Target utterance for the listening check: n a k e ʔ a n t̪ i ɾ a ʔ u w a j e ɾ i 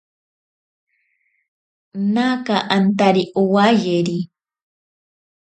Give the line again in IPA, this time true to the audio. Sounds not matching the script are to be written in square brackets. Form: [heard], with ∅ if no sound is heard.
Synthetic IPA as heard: n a k [a] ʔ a n t̪ [a] ɾ [i] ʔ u w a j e ɾ i